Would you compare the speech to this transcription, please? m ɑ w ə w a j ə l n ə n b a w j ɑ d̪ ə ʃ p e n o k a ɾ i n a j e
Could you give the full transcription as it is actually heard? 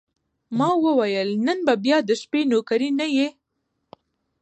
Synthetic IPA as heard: m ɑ w ə w a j ə l n ə n b a b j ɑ d̪ ə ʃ p e n o k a ɾ i n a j e